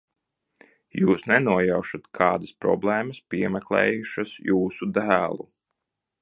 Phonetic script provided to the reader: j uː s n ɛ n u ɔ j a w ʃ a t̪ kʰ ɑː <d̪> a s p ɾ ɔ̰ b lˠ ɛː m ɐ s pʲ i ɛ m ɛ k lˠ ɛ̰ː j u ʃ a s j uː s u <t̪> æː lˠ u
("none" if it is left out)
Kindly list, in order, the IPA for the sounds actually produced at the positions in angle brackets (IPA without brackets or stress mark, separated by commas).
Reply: d̪, d̪